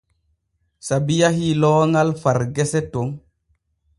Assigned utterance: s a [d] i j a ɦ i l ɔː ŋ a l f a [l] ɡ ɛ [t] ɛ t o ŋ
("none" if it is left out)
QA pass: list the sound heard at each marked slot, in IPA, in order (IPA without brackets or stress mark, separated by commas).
b, ɾ, s